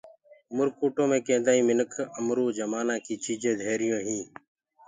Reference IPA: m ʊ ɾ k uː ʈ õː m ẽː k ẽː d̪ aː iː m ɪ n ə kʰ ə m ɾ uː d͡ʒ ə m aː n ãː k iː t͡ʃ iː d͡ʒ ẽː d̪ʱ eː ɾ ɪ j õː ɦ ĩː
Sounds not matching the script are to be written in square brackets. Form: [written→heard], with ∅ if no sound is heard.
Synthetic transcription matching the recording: m ʊ ɾ k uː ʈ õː m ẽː k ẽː d̪ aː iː m ɪ n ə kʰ ə m ɾ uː d͡ʒ ə m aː n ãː k iː t͡ʃ iː d͡ʒ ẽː d̪ʱ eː ɾ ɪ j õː ɦ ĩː